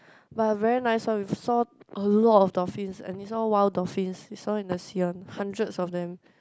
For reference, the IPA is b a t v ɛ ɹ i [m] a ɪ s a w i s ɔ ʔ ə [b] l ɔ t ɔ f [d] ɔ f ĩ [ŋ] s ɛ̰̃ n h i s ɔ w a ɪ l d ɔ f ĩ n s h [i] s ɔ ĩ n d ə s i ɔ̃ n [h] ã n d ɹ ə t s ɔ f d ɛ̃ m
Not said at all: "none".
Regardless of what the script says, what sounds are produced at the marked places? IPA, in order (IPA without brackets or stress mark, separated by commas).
n, none, d, n, i, h